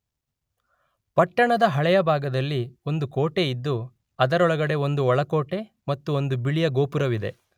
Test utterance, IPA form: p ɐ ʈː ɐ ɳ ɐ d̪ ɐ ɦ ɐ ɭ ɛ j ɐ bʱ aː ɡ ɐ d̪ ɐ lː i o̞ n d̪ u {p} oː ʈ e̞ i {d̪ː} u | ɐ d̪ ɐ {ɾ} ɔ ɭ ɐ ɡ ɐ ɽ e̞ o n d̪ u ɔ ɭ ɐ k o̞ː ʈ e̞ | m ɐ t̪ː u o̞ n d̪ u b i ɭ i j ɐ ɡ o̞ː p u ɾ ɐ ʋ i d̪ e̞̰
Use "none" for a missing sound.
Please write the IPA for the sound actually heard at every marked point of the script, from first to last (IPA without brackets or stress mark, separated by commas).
k, d̪ː, ɾ